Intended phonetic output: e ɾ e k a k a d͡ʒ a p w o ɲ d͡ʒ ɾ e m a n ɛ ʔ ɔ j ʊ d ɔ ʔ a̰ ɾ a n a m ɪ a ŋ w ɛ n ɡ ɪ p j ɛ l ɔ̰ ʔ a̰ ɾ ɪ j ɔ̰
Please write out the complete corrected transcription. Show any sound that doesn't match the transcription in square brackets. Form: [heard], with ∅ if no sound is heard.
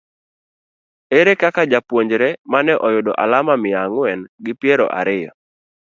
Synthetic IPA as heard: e ɾ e k a k a d͡ʒ a p w o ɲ d͡ʒ ɾ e m a n ɛ ʔ ɔ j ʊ d ɔ ʔ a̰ [l] a [m] a m ɪ a ŋ w ɛ n ɡ ɪ p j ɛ [ɾ] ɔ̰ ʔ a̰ ɾ ɪ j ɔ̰